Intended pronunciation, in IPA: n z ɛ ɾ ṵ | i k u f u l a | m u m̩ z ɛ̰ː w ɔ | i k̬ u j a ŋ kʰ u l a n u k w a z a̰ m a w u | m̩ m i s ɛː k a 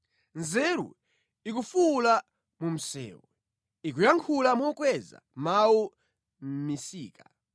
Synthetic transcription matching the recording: n z ɛ ɾ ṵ | i k u f u l a | m u m̩ s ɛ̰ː w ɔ | i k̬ u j a ŋ kʰ u l a m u k w ɛ z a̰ m a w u | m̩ m i s iː k a